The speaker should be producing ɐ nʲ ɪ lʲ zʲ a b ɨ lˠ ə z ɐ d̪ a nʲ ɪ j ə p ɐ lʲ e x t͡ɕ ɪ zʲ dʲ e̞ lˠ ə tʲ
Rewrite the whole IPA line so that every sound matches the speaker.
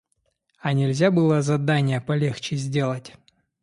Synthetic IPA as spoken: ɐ nʲ ɪ lʲ zʲ a b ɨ lˠ ə z ɐ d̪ a nʲ ɪ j ə p ɐ lʲ e x t͡ɕ ɪ zʲ dʲ e̞ lˠ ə tʲ